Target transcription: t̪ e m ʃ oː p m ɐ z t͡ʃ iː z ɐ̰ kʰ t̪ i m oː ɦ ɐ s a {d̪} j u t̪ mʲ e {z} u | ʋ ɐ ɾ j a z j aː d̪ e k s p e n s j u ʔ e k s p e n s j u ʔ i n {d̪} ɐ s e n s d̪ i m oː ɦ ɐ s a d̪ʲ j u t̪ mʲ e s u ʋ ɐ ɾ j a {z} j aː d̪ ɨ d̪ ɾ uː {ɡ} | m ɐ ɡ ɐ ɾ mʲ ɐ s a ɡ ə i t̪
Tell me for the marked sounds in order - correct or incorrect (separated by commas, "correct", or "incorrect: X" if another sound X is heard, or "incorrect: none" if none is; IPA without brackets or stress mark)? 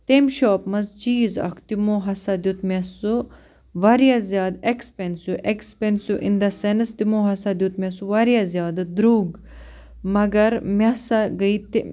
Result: correct, incorrect: s, correct, correct, correct